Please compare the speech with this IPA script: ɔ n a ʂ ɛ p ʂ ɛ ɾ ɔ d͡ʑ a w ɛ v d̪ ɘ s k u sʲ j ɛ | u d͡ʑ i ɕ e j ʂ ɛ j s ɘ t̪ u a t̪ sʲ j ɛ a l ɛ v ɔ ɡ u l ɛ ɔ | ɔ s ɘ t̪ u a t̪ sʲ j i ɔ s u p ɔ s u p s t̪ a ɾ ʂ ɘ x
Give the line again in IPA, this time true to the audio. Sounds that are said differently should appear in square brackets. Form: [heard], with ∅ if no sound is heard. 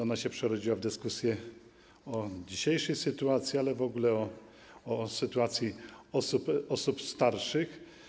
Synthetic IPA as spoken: ɔ n a [ɕ] ɛ p ʂ ɛ ɾ ɔ d͡ʑ [i] w [a] v d̪ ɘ s k u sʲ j ɛ | [ɔ] d͡ʑ i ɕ e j ʂ ɛ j s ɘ t̪ u a t̪ sʲ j [i] a l ɛ v ɔ ɡ u l ɛ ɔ | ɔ s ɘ t̪ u a t̪ sʲ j i ɔ s u p ɔ s u p s t̪ a ɾ ʂ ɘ x